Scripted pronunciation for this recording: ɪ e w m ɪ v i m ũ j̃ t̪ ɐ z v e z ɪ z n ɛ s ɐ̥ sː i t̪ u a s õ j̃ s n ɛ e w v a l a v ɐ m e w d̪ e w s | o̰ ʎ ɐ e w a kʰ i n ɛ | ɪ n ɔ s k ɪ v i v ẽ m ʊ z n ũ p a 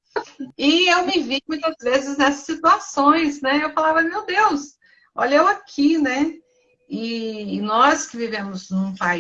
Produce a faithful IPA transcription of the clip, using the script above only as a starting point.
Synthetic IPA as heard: ɪ e w m ɪ v i m ũ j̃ t̪ ɐ z v e z ɪ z n ɛ s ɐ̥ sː i t̪ u a s õ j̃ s n ɛ e w f a l a v ɐ m e w d̪ e w s | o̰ ʎ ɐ e w a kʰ i n ɛ | ɪ n ɔ s k ɪ v i v ẽ m ʊ z n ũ p a

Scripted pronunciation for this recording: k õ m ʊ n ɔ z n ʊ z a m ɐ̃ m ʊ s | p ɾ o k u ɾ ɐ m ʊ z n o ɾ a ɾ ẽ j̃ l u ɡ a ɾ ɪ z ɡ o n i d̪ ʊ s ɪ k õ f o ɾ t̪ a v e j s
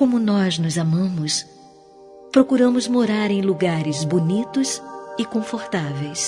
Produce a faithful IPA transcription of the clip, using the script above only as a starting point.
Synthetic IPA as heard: k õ m ʊ n ɔ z n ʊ z a m ɐ̃ m ʊ s | p ɾ o k u ɾ ɐ̃ m ʊ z m o ɾ a ɾ ẽ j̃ l u ɡ a ɾ ɪ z b o n i t̪ ʊ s ɪ k õ f o ɾ t̪ a v e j s

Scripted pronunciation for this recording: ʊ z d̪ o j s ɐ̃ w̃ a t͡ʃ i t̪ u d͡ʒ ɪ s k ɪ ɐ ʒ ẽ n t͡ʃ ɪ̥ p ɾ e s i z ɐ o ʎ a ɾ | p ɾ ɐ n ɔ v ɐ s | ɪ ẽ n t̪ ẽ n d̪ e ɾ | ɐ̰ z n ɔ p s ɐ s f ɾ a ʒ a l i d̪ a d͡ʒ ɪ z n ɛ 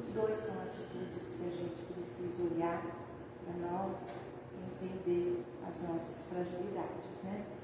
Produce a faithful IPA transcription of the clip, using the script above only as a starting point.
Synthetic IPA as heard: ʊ z d̪ o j s ɐ̃ w̃ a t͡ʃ i t̪ u d͡ʒ ɪ s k ɪ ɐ ʒ ẽ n t͡ʃ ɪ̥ p ɾ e s i z ɐ o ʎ a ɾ | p ɾ ɐ n ɔ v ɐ s | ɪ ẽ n t̪ ẽ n d̪ e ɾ | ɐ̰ z n ɔ s ɐ s f ɾ a ʒ i l i d̪ a d͡ʒ ɪ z n ɛ

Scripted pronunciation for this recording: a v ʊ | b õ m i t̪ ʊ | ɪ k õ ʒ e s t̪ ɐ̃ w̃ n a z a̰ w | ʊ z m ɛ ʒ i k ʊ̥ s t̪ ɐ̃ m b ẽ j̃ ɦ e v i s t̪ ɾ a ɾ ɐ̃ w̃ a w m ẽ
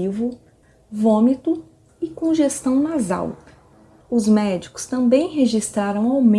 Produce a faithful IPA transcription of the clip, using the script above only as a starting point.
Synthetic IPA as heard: i v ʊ | v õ m i t̪ ʊ | ɪ k õ ʒ e s t̪ ɐ̃ w̃ n a z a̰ w | ʊ z m ɛ d͡ʒ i k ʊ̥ s t̪ ɐ̃ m b ẽ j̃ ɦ e ʒ i s t̪ ɾ a ɾ ɐ̃ w̃ a w m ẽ

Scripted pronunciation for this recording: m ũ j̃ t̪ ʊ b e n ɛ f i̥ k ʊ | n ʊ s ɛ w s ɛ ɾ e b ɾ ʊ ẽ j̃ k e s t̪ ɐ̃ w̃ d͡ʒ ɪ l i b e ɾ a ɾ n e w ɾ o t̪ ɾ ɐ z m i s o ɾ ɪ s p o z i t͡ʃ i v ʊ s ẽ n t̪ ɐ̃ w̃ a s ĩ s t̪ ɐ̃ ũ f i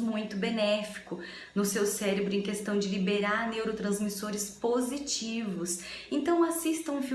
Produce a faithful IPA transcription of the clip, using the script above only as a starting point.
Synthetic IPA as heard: m ũ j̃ t̪ ʊ b e n ɛ f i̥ k ʊ | n ʊ s e w s ɛ ɾ e b ɾ ʊ ẽ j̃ k e s t̪ ɐ̃ w̃ d͡ʒ ɪ l i b e ɾ a ɾ n e w ɾ o t̪ ɾ ɐ̃ z m i s o ɾ ɪ s p o z i t͡ʃ i v ʊ s ẽ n t̪ ɐ̃ w̃ a s i s t̪ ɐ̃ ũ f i

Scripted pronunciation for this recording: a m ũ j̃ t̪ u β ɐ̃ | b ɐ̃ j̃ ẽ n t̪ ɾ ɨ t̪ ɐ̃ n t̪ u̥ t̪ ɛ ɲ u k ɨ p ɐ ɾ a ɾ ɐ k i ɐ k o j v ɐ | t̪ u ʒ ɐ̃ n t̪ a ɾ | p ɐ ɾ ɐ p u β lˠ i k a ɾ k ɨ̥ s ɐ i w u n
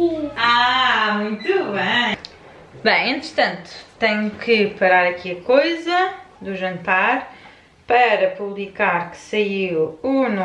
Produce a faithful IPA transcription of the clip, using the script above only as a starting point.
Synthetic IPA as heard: a m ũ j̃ t̪ u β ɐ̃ | b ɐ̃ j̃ ẽ n t̪ ɾ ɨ t̪ ɐ̃ n t̪ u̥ t̪ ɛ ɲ u k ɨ p ɐ ɾ a ɾ ɐ k i ɐ k o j z ɐ | d̪ u ʒ ɐ̃ n t̪ a ɾ | p ɐ ɾ ɐ p u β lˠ i k a ɾ k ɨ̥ s ɐ i w u n

